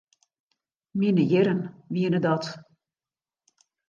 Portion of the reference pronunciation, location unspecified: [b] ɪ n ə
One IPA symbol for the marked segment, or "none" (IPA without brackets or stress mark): m